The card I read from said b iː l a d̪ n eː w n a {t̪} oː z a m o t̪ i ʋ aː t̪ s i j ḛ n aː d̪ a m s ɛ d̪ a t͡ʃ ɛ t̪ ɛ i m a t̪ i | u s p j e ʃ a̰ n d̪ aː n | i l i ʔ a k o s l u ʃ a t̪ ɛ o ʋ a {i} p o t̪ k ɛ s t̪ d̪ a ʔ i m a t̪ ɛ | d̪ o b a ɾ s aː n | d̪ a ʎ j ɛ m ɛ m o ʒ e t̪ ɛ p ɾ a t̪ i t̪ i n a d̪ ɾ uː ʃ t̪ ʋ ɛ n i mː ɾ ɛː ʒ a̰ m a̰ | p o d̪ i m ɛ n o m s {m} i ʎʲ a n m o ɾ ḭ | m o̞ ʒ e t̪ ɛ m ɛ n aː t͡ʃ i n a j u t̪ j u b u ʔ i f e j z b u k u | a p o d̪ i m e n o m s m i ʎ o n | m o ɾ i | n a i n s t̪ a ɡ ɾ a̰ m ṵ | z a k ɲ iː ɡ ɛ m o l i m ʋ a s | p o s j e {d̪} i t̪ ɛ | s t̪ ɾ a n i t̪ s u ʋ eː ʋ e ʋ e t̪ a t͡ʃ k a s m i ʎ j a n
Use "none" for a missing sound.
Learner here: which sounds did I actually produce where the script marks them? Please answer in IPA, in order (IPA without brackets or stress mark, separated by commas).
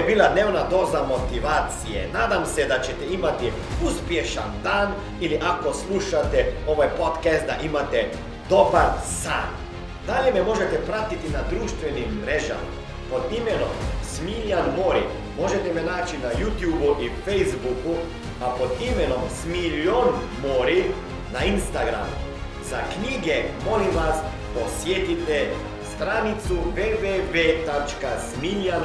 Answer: d̪, j, m, t̪